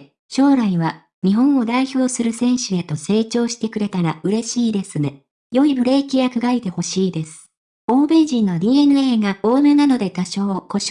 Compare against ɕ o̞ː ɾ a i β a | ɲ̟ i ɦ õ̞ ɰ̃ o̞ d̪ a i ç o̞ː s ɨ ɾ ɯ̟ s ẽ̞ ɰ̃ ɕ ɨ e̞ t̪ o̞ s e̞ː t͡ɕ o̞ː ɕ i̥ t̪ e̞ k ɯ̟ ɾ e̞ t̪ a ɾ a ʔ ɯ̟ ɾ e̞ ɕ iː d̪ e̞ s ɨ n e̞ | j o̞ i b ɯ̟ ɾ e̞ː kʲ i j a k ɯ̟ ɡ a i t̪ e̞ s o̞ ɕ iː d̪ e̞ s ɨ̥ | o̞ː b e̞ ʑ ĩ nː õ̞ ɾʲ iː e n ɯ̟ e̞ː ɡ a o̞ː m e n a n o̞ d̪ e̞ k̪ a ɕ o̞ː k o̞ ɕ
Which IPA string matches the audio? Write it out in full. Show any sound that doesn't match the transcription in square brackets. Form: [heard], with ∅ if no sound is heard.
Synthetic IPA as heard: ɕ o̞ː ɾ a i β a | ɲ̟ i ɦ õ̞ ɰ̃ o̞ d̪ a i ç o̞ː s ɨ ɾ ɯ̟ s ẽ̞ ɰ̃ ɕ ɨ e̞ t̪ o̞ s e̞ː t͡ɕ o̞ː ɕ i̥ t̪ e̞ k ɯ̟ ɾ e̞ t̪ a ɾ a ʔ ɯ̟ ɾ e̞ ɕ iː d̪ e̞ s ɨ n e̞ | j o̞ i b ɯ̟ ɾ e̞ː kʲ i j a k ɯ̟ ɡ a i t̪ e̞ [h] o̞ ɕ iː d̪ e̞ s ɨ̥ | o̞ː b e̞ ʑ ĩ nː [o̞] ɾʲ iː e n ɯ̟ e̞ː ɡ a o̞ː m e n a n o̞ d̪ e̞ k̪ a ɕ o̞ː k o̞ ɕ